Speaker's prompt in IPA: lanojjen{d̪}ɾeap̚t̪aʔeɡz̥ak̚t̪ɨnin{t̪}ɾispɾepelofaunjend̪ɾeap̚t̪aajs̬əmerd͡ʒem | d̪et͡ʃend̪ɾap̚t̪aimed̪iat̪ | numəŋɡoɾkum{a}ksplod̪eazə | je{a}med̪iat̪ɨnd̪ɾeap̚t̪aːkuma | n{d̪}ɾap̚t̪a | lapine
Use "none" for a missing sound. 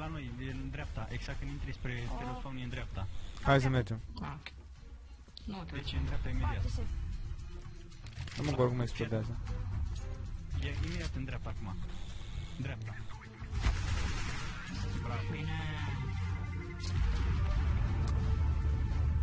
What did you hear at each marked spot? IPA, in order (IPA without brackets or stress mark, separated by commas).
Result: d̪, t̪, e, i, d̪